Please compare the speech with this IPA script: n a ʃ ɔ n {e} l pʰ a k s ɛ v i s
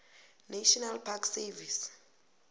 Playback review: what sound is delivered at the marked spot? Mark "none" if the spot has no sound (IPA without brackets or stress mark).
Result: a